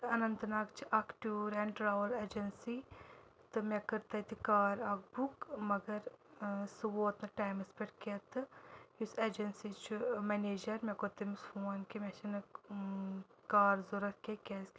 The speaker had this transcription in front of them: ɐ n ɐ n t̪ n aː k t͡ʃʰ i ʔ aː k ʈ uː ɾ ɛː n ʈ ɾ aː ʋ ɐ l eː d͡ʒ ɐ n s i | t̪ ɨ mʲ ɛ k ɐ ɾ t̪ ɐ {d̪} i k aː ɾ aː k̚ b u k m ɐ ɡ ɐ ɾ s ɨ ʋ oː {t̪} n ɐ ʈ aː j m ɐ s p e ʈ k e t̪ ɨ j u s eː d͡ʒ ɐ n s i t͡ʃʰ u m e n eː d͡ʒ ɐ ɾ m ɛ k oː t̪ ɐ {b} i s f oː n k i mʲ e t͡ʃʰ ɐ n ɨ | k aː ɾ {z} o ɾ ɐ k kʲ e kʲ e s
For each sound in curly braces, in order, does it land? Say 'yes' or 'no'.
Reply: no, yes, no, yes

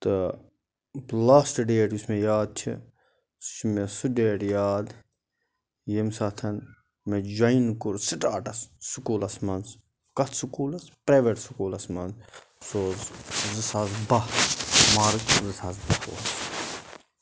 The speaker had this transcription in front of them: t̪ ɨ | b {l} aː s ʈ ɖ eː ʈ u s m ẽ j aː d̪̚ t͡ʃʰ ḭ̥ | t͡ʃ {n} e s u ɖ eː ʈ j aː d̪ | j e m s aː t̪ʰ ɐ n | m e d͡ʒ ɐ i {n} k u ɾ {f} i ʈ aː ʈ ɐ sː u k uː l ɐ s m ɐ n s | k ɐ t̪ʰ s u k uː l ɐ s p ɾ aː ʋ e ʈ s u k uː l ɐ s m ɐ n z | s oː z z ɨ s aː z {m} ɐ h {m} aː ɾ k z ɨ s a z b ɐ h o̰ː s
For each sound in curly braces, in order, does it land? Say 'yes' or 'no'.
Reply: yes, no, yes, no, no, yes

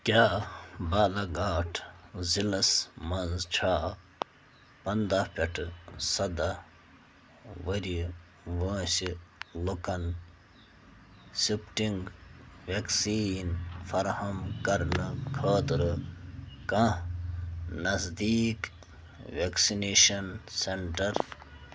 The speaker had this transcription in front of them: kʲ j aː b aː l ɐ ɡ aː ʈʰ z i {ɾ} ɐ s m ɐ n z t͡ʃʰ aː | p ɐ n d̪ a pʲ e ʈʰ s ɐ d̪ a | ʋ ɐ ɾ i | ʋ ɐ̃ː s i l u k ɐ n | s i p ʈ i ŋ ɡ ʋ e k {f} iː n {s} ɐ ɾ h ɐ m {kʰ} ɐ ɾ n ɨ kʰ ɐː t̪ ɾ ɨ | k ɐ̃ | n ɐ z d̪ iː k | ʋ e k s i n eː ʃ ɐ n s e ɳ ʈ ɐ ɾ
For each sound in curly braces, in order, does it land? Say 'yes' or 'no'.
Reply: no, no, no, no

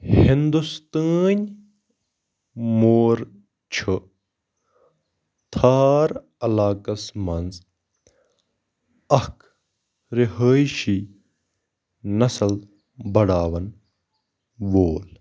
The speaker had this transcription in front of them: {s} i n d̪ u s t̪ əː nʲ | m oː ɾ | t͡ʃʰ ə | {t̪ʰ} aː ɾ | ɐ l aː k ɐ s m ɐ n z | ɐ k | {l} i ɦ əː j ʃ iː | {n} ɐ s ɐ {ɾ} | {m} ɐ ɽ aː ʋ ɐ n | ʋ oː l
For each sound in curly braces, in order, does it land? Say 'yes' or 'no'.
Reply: no, yes, no, yes, no, no

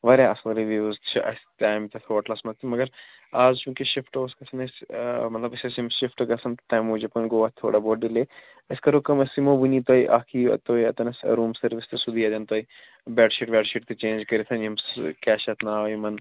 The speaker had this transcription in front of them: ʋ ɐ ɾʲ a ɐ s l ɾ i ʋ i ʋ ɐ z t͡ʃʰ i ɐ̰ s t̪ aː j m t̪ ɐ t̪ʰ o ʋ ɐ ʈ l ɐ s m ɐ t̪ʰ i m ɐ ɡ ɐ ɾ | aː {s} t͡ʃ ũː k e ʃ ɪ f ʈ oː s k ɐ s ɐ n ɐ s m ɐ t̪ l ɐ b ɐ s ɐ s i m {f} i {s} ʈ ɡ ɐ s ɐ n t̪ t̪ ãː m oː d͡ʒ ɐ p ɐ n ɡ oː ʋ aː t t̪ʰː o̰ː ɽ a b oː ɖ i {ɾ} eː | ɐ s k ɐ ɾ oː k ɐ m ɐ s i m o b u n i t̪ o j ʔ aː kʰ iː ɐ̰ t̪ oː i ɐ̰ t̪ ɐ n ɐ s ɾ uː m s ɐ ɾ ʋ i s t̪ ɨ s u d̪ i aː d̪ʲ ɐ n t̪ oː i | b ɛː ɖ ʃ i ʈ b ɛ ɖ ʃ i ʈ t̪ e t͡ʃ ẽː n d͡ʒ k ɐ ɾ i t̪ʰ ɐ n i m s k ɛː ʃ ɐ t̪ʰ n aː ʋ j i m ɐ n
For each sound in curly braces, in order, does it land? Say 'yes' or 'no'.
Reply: no, no, no, no

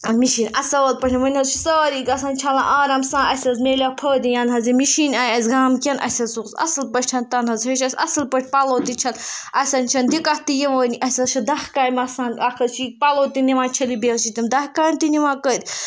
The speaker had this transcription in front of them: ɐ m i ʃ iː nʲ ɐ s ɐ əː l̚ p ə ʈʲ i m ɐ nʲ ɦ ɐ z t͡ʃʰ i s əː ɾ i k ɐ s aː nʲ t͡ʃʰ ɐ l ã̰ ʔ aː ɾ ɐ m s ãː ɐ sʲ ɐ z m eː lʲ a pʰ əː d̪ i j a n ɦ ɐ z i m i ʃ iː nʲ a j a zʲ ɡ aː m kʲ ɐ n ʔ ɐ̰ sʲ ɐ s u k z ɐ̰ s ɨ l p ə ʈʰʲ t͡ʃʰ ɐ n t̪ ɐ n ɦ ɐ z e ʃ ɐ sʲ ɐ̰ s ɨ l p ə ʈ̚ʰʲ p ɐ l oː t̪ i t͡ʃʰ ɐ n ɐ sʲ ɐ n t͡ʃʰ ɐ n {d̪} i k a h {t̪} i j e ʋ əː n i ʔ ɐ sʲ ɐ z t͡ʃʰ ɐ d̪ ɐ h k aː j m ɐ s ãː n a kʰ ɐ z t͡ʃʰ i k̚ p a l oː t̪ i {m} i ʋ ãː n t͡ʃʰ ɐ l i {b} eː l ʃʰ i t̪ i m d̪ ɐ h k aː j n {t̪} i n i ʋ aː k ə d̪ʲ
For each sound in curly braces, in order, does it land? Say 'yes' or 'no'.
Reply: yes, yes, no, yes, yes

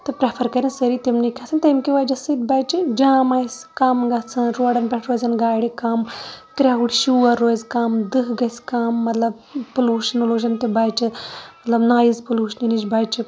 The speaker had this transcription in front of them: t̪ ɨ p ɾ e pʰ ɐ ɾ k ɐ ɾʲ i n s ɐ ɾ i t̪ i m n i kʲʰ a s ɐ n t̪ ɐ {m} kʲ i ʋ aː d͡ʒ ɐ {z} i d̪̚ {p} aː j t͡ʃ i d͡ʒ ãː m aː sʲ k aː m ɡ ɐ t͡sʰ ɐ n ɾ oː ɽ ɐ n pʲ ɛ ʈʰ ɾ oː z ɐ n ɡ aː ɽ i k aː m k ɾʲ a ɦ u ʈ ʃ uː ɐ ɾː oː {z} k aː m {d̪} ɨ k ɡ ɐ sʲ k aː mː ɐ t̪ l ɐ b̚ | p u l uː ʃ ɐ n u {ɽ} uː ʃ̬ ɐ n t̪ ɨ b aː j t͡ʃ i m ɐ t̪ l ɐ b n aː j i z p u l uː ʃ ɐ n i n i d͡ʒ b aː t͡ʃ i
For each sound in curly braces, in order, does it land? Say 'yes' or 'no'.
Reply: yes, no, no, yes, yes, no

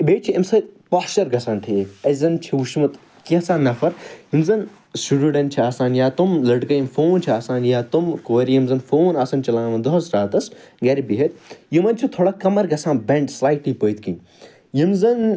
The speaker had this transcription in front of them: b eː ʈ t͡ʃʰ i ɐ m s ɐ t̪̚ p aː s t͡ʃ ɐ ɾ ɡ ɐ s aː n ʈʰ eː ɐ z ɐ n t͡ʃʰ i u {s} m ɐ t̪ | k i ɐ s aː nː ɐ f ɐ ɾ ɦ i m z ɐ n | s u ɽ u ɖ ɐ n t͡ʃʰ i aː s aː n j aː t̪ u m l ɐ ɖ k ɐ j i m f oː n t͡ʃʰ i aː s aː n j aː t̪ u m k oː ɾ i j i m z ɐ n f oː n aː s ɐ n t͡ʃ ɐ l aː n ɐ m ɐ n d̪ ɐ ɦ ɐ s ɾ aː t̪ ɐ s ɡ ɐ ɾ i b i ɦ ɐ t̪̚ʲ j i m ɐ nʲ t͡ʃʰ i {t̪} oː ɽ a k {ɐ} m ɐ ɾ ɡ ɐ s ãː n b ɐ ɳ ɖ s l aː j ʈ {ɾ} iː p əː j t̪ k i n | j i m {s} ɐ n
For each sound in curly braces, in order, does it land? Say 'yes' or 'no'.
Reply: no, no, yes, no, no

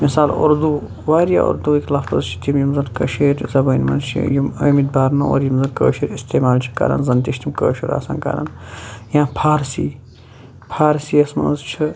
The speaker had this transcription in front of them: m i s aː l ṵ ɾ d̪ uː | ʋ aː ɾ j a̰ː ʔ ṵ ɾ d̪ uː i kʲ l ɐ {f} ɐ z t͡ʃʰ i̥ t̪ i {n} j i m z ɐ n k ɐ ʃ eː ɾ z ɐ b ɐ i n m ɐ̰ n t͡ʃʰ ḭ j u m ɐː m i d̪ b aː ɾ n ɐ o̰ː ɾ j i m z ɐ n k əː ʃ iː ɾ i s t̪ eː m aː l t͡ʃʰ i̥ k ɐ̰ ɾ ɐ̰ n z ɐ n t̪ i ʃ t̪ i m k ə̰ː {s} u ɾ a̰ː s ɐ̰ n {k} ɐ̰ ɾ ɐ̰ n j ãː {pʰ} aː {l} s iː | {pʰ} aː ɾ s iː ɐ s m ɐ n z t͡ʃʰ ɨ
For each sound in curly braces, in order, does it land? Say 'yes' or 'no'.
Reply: yes, no, no, yes, yes, no, yes

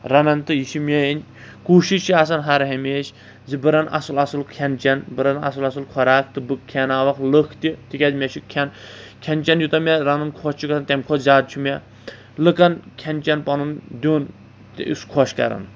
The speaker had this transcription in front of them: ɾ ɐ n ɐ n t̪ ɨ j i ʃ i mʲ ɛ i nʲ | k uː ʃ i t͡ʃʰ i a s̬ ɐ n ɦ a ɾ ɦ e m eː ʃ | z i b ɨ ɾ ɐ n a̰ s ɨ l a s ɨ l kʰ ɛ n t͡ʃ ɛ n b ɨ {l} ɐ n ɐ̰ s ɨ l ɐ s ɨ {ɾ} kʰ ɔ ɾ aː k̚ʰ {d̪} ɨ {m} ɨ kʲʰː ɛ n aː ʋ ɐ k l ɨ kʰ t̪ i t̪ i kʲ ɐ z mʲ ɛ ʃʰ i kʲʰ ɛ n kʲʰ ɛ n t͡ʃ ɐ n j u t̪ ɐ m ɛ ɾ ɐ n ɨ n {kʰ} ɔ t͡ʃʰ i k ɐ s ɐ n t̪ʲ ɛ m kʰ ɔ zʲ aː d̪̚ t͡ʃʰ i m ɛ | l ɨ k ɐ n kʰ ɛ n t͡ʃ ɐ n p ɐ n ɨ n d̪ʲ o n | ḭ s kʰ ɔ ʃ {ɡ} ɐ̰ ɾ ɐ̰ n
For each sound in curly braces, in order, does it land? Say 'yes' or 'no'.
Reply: no, no, no, no, yes, no

